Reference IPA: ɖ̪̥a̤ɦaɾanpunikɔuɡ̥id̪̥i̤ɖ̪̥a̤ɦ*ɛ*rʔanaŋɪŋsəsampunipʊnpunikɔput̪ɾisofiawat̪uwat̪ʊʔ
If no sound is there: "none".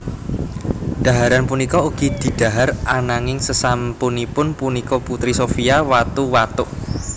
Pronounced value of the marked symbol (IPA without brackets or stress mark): a